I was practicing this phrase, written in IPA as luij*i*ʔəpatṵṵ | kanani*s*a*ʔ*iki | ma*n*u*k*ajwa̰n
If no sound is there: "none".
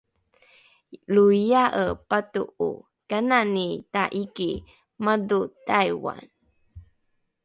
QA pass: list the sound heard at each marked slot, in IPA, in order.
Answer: a, t, ʔ, d, t

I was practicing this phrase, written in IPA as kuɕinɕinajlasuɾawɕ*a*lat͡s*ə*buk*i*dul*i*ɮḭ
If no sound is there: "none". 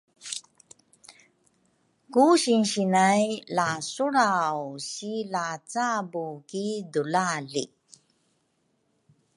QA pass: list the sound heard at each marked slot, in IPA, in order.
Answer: i, a, i, a

